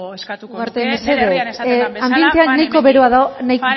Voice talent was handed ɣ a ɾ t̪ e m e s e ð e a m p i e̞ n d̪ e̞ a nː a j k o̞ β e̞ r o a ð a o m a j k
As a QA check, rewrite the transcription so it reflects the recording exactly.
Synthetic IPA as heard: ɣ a ɾ t̪ e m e s e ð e a m b i e̞ n t̪ e̞ a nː a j k o̞ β e̞ ɾ o a ð a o n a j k